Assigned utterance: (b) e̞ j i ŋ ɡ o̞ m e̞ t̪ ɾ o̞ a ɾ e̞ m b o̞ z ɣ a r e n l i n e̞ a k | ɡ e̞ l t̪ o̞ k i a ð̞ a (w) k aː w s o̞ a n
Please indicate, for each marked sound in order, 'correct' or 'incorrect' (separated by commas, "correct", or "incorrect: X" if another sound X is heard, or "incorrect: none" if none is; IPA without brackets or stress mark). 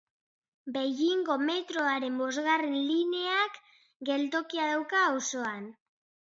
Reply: correct, correct